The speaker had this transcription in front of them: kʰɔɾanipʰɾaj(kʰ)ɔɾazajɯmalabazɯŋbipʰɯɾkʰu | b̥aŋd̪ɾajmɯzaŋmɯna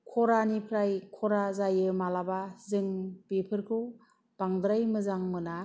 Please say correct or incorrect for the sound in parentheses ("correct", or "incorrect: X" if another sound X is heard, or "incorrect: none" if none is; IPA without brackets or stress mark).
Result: correct